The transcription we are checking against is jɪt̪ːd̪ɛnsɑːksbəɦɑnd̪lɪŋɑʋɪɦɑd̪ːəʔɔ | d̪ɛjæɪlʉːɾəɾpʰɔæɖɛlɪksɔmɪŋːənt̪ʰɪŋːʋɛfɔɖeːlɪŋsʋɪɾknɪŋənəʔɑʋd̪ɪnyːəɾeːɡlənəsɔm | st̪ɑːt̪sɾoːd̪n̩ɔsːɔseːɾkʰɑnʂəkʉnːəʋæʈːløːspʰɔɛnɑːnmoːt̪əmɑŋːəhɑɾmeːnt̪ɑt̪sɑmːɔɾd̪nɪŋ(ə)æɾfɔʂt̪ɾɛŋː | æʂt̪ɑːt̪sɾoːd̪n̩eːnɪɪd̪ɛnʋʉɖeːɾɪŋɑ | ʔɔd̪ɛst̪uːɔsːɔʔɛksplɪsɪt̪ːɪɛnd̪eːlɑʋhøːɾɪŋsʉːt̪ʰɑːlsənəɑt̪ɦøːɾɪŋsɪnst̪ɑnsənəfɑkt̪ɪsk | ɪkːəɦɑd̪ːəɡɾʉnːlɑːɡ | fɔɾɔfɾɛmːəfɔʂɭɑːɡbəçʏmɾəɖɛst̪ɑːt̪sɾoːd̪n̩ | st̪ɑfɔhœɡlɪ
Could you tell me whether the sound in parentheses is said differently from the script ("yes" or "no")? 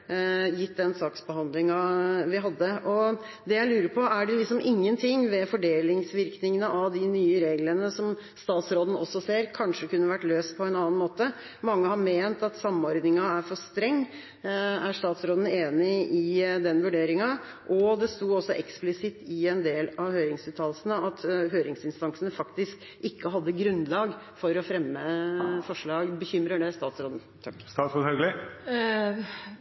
yes